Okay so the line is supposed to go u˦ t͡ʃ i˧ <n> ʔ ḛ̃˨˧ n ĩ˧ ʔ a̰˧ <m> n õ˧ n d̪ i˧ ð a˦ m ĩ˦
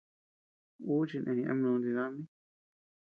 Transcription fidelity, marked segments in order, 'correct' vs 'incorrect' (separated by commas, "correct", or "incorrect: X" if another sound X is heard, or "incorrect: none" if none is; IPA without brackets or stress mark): correct, correct